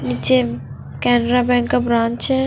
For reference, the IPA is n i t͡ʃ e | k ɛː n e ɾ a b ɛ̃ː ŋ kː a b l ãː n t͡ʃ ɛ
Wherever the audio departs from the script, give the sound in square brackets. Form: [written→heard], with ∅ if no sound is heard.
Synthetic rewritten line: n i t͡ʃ e | k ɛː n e ɾ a b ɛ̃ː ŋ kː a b [l→ɾ] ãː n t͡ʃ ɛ